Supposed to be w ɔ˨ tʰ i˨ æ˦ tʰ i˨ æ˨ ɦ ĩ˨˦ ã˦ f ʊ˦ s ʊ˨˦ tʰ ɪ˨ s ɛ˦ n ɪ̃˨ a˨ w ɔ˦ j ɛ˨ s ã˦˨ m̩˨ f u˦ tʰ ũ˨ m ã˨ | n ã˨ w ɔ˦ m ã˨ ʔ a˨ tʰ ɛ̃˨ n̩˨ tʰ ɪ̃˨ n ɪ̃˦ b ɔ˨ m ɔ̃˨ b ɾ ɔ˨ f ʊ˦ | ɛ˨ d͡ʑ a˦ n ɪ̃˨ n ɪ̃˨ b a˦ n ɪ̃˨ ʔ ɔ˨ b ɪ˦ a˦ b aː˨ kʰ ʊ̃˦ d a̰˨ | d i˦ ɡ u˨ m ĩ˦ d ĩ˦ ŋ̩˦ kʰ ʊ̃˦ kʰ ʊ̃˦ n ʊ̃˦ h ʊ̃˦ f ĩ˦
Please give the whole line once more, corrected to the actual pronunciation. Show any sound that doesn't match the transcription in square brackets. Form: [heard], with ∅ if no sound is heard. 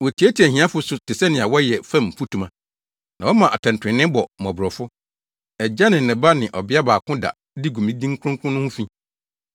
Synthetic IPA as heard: w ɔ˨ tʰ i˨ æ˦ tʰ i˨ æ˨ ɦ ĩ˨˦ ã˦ f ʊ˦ s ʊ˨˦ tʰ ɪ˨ s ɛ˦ n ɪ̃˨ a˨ w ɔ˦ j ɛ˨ [f] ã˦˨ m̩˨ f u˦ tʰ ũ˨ m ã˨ | n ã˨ w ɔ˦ m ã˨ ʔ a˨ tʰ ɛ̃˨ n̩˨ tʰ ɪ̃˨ n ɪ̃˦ b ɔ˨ m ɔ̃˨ b ɾ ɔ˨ f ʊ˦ | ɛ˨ d͡ʑ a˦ n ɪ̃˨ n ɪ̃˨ b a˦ n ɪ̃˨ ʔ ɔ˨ b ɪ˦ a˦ b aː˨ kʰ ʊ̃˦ d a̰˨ | d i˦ ɡ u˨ m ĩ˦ d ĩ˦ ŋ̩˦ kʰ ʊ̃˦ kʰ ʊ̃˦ n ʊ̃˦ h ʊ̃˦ f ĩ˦